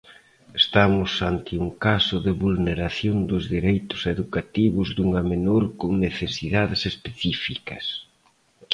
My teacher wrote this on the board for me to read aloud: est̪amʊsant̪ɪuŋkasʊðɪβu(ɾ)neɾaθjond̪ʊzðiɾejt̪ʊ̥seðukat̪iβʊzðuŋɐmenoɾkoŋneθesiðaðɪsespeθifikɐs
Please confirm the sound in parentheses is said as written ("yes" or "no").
no